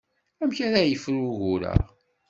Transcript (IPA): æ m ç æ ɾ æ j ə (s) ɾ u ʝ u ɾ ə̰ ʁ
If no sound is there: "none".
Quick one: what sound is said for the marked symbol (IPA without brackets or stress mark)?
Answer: f